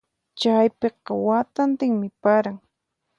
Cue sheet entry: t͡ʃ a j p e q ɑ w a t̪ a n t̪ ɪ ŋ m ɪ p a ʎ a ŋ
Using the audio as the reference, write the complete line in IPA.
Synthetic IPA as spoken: t͡ʃ a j p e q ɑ w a t̪ a n t̪ ɪ ŋ m ɪ p a ɾ a ŋ

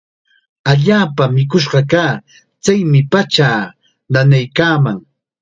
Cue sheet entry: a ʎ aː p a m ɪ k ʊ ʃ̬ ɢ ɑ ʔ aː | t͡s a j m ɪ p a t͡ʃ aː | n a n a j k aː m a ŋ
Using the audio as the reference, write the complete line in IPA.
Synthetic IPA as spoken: a ʎ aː p a m ɪ k ʊ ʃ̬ ɢ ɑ k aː | t͡s a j m ɪ p a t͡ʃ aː | n a n a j k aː m a ŋ

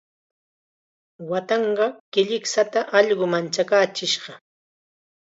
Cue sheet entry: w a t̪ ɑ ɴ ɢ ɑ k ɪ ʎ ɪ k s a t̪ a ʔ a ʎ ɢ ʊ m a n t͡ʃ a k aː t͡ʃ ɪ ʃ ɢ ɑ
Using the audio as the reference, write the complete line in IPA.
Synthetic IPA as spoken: w a t̪ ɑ ɴ ɢ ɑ k ɪ ʎ ɪ k s a t̪ a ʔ ɑ ʎ ɢ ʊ m a n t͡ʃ a k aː t͡ʃ ɪ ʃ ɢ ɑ

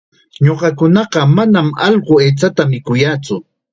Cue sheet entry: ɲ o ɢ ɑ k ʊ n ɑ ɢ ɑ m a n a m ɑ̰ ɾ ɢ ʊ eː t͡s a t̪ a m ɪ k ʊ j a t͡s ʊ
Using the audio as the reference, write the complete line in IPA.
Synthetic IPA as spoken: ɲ o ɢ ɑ k ʊ n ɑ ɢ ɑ m a n a m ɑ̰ ʎ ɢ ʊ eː t͡s a t̪ a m ɪ k ʊ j a t͡s ʊ

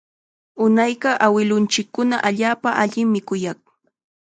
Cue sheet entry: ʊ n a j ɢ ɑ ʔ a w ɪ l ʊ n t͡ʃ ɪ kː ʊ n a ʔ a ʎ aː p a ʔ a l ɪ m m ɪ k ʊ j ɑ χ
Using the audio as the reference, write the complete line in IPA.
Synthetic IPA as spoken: ʊ n a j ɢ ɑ ʔ a w ɪ l ʊ n t͡ʃ ɪ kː ʊ n a ʔ a ʎ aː p a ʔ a ʎ ɪ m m ɪ k ʊ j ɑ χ

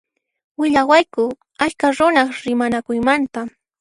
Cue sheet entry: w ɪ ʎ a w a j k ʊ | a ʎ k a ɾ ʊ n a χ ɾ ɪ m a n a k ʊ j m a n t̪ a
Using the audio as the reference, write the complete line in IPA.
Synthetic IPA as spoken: w ɪ ʎ a w a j k ʊ | a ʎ k a ɾ ʊ n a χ ɾ ɪ m a n a k ʊ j m a n t̪ a

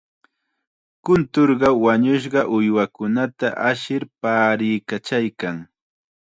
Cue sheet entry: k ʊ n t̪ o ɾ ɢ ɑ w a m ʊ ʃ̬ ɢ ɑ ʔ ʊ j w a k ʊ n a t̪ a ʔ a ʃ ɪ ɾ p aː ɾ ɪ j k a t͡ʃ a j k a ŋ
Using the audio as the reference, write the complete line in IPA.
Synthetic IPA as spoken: k ʊ n t̪ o ɾ ɢ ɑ w a ɲ ʊ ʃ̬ ɢ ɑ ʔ ʊ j w a k ʊ n a t̪ a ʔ a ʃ ɪ ɾ p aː ɾ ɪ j k a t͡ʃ a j k a ŋ

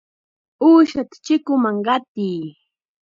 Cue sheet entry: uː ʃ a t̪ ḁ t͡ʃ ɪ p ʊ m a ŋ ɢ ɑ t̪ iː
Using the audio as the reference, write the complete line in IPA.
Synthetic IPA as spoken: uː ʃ a t̪ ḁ t͡ʃ ɪ k ʊ m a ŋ ɢ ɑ t̪ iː

